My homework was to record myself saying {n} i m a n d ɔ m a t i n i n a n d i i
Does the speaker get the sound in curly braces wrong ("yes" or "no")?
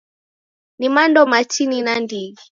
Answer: no